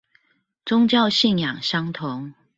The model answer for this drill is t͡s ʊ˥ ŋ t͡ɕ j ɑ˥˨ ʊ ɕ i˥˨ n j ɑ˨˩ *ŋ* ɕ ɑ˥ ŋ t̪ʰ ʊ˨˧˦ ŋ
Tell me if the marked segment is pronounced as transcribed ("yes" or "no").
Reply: yes